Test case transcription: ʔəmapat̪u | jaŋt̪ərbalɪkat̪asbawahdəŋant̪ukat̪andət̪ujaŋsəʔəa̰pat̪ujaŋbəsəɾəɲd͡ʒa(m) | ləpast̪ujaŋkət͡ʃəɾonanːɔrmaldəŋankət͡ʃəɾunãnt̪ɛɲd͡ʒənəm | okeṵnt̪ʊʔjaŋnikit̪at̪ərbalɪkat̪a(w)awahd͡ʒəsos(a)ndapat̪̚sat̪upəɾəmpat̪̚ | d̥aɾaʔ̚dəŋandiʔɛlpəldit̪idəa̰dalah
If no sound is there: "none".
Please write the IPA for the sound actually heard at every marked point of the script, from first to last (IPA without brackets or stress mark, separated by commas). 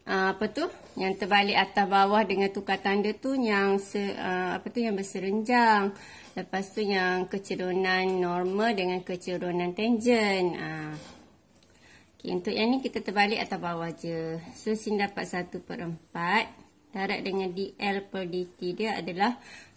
ŋ, b, i